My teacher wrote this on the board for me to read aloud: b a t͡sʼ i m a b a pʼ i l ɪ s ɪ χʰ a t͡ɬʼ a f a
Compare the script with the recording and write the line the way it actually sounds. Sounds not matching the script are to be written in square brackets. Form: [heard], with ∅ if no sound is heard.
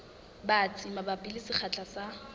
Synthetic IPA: b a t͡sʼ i m a b a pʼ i l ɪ s ɪ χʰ a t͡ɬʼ a [s] a